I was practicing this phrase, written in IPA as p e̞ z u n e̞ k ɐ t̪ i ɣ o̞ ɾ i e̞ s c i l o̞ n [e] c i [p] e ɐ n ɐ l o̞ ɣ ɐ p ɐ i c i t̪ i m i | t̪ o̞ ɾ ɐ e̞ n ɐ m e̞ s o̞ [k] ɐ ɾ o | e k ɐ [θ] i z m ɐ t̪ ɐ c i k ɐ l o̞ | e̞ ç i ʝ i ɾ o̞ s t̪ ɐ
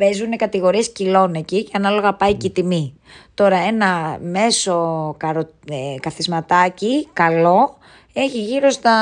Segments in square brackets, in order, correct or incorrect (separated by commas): correct, incorrect, correct, correct